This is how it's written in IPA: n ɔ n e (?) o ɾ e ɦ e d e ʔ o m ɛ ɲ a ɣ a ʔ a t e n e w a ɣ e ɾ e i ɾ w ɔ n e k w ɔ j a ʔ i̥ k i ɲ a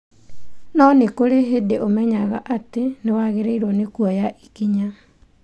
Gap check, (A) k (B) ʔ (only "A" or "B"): A